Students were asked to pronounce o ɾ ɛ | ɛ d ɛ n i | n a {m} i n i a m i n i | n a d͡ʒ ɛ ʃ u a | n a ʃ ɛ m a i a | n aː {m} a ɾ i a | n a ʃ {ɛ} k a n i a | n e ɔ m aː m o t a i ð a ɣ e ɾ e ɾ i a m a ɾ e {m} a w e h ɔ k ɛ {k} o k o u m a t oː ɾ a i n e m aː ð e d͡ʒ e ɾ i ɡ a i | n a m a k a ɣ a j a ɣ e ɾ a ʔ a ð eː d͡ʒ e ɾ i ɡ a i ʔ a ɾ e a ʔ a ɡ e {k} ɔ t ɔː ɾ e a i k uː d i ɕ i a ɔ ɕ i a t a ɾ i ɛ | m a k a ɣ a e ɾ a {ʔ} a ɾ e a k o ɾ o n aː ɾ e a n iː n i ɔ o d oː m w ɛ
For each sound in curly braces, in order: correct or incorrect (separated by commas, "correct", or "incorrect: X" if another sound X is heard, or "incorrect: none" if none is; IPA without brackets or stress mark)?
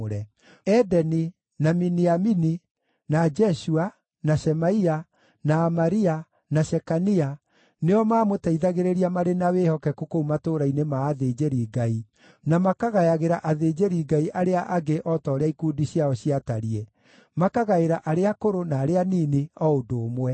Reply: correct, correct, correct, incorrect: n, correct, incorrect: ʔ, correct